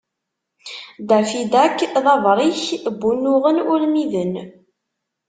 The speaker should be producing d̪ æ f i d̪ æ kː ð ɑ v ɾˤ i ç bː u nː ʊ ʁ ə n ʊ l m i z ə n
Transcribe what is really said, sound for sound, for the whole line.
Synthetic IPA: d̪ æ f i d̪ æ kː ð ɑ v ɾˤ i ç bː u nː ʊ ʁ ə n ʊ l m i ð ə n